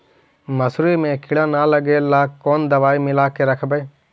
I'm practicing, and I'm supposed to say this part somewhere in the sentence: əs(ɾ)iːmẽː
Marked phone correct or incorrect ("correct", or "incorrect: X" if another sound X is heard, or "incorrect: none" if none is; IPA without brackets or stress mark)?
correct